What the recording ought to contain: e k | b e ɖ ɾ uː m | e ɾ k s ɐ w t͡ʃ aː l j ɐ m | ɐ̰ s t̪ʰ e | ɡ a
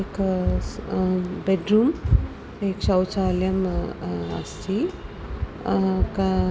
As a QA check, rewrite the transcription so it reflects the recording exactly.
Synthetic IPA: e k | b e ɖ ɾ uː m | e k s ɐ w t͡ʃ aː l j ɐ m | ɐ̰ s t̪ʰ i | k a